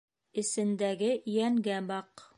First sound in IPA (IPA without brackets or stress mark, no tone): ɘ̆